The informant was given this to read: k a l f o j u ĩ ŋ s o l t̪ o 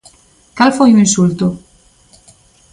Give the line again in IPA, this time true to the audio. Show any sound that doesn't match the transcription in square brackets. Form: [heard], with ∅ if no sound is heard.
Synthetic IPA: k a l f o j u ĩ [n] s [u] l t̪ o